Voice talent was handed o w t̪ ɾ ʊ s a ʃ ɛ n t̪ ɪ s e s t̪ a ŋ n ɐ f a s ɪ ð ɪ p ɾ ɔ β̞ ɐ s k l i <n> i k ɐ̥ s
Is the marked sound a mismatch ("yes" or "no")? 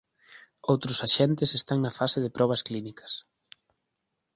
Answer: no